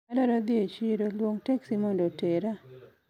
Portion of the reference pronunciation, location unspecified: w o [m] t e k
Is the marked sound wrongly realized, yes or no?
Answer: yes